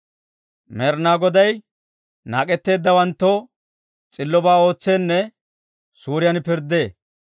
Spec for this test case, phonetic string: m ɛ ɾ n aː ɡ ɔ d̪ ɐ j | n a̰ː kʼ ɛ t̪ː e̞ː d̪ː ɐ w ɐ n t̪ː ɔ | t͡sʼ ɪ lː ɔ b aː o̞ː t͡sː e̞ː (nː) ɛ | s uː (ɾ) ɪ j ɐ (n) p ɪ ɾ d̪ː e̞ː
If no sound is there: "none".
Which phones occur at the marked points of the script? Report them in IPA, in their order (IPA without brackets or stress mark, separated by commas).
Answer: nː, ɾ, n